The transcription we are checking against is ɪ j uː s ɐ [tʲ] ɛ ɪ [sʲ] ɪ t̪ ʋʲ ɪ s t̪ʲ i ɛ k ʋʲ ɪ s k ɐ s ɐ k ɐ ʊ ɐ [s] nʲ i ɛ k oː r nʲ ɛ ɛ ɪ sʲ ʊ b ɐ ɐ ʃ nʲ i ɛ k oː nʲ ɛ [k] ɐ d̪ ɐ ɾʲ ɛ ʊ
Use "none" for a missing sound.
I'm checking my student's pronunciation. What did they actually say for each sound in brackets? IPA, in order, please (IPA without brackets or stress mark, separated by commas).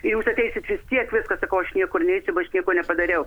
tʲ, sʲ, ʃ, p